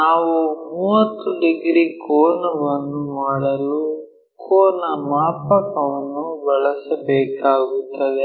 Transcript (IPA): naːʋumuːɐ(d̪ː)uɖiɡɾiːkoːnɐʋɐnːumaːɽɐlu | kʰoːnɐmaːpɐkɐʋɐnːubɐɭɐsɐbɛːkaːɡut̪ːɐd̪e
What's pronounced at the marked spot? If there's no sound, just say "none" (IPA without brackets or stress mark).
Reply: t̪ː